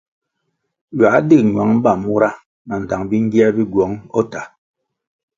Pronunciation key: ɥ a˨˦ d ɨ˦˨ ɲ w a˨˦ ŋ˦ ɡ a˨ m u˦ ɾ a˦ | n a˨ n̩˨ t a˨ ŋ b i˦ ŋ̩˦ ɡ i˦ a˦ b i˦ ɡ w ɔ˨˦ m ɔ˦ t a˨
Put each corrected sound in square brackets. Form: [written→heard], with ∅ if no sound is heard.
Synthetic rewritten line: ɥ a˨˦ d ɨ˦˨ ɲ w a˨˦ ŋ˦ [ɡ→b] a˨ m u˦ ɾ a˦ | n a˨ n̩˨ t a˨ ŋ b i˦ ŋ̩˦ ɡ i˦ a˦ b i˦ ɡ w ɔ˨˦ [m→ŋ] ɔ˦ t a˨